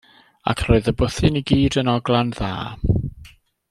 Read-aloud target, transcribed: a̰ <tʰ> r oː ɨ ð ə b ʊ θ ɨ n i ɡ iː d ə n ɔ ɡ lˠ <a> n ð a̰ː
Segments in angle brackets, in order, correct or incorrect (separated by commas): incorrect, correct